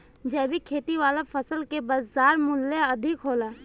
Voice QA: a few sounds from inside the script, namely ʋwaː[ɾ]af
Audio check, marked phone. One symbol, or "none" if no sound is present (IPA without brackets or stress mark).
l